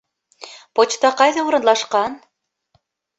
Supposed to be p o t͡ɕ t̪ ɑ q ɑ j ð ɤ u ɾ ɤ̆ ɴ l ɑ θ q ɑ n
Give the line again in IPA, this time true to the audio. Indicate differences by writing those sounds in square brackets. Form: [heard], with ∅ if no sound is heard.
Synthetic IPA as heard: p o t͡ɕ t̪ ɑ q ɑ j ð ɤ u ɾ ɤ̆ [n] l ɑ [ʃ] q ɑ n